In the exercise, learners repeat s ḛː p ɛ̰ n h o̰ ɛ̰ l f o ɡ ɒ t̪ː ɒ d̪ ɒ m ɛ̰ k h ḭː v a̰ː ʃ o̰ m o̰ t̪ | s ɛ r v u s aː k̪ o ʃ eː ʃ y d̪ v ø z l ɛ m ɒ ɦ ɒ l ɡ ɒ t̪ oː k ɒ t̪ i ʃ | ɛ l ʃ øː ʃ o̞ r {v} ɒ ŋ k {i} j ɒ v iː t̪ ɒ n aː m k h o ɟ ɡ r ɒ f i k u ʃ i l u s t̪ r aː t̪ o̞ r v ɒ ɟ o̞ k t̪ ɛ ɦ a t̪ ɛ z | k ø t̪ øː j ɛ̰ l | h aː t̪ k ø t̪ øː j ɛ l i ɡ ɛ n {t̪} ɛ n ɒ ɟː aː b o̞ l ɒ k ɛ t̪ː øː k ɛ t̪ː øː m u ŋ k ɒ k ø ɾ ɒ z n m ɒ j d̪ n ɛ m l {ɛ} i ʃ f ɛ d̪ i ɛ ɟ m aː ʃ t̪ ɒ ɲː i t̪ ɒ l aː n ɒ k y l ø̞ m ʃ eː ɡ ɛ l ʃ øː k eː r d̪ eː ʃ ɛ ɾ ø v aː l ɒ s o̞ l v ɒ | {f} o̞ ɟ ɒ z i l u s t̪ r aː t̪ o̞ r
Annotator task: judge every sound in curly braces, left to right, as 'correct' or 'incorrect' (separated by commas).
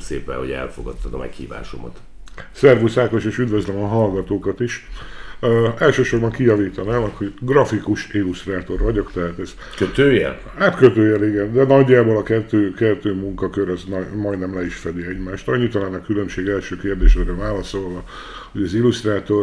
incorrect, correct, incorrect, correct, incorrect